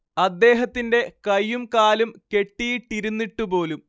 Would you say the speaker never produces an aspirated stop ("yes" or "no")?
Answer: yes